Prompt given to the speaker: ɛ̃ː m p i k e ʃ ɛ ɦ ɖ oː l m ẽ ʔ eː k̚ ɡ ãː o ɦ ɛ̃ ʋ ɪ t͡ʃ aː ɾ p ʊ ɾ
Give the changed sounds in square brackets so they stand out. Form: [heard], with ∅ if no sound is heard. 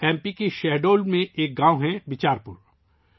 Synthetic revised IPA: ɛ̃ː m p i k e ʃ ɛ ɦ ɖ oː l m ẽ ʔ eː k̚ ɡ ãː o ɦ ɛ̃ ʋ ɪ t͡ʃ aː ɾ p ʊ ɾ